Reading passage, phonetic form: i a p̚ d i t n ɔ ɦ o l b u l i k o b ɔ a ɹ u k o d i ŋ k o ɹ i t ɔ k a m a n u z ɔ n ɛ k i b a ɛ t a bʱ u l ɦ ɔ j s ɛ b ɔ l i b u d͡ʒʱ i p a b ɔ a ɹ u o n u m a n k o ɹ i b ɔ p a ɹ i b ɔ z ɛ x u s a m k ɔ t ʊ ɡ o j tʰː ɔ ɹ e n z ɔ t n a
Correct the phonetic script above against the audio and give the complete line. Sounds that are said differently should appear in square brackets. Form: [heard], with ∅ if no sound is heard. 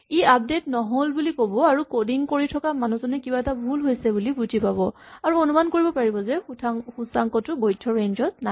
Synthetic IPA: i a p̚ d [e] t n ɔ ɦ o l b u l i k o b ɔ a ɹ u k o d i ŋ k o ɹ i [tʰ] ɔ k a m a n u z ɔ n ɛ k i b a ɛ t a bʱ u l ɦ [o] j s ɛ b [u] l i b u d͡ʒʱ i p a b ɔ a ɹ u o n u m a n k o ɹ i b ɔ p a ɹ i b ɔ z ɛ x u s a [ŋ] k ɔ t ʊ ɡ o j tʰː ɔ ɹ e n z ɔ t n a

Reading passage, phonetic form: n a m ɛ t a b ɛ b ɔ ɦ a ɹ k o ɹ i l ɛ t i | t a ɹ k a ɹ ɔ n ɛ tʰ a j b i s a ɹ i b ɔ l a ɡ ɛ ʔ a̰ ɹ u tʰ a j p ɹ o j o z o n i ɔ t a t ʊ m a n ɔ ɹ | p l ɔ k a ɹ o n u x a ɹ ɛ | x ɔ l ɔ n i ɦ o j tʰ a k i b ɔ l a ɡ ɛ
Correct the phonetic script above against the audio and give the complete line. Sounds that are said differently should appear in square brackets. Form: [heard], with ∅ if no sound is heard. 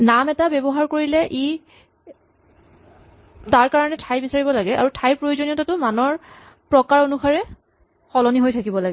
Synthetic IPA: n a m ɛ t a b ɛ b ɔ ɦ a ɹ k o ɹ i l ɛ [ʔ] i | t a ɹ k a ɹ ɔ n ɛ tʰ a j b i s a ɹ i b ɔ l a ɡ ɛ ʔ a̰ ɹ u tʰ a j p ɹ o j o z o n i ɔ t a t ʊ m a n ɔ ɹ | p [ɹ] ɔ k a ɹ o n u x a ɹ ɛ | x ɔ l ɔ n i ɦ o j tʰ a k i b ɔ l a ɡ ɛ

